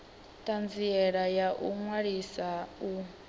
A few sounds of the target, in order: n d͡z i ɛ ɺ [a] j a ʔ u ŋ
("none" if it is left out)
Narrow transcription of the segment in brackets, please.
a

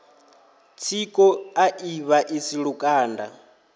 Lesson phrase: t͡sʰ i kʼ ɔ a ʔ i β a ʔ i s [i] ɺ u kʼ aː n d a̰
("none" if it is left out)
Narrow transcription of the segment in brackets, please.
i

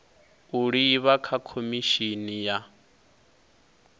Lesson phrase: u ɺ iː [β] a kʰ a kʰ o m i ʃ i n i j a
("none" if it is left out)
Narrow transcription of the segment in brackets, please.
β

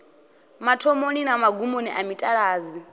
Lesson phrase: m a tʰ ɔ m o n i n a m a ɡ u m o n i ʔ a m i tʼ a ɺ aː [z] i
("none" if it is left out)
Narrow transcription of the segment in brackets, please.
z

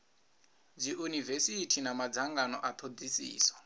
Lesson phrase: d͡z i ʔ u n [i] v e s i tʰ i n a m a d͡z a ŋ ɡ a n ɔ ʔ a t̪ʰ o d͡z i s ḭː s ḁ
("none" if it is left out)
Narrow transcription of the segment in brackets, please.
i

